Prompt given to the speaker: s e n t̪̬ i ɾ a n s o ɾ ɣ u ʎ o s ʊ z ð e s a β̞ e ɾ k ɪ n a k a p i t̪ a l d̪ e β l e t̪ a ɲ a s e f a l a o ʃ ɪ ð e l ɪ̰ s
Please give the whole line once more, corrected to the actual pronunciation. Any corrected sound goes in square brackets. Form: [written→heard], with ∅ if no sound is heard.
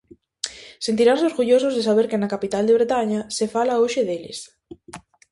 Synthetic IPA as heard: s e n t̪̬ i ɾ a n s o ɾ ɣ u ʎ o s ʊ z ð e s a β̞ e ɾ k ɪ n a k a p i t̪ a l d̪ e β [l→ɾ] e t̪ a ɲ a s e f a l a o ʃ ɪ ð e l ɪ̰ s